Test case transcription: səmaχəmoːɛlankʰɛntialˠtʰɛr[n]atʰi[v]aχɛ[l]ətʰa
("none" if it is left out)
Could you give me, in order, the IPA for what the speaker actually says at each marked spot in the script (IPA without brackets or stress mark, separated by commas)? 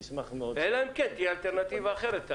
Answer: n, v, ɾ